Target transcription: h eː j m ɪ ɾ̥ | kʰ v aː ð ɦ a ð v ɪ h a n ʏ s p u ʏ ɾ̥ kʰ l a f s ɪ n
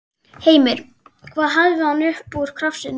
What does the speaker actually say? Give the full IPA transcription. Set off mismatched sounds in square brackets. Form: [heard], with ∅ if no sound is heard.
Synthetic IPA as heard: h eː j m ɪ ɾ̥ | kʰ v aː ð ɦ a ð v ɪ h a n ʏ [h] p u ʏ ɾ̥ kʰ [ɾ] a f s ɪ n